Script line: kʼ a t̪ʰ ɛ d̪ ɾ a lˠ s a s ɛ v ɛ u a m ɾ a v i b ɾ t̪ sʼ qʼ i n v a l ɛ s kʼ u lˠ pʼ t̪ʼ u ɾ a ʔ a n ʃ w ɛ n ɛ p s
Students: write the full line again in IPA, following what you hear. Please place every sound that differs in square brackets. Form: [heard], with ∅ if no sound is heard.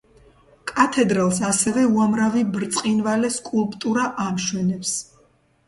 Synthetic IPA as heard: kʼ a t̪ʰ ɛ d̪ ɾ a lˠ s a s ɛ v ɛ u a m ɾ a v i b ɾ t̪ sʼ qʼ i n v a l ɛ s kʼ u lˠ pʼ t̪ʼ u ɾ a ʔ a [m] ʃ w ɛ n ɛ p s